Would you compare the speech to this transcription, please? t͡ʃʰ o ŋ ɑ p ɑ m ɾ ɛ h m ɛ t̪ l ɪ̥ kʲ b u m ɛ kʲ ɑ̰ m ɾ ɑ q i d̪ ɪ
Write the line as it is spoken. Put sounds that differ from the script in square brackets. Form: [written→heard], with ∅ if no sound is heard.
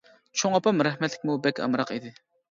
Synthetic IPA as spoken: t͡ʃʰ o ŋ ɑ p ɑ m ɾ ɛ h m ɛ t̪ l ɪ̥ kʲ [b→m] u [m→b] ɛ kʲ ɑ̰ m ɾ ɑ q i d̪ ɪ